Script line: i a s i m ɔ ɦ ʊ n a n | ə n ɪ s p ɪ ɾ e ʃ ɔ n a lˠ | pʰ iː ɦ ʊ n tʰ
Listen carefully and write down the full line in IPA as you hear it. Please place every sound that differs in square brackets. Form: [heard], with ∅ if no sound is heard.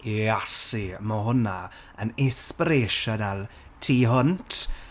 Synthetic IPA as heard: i a s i m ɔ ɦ ʊ n a [∅] | ə n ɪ s p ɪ ɾ e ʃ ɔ n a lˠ | [tʰ] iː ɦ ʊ n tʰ